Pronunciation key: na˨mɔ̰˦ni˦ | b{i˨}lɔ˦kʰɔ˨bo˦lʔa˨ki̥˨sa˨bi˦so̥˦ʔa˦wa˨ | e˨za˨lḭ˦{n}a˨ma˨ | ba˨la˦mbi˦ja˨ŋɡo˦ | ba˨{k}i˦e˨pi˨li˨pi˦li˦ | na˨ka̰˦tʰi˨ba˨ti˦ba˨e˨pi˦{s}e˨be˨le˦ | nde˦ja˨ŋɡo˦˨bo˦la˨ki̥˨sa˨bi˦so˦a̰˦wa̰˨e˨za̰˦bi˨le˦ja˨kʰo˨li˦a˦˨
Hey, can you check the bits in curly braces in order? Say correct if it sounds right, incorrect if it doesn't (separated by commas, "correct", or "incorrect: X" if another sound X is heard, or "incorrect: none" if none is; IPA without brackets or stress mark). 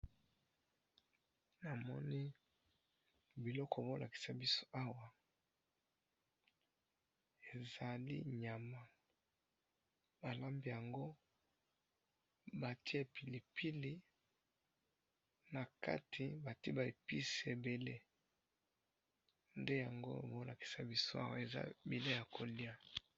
correct, incorrect: ɲ, incorrect: t, correct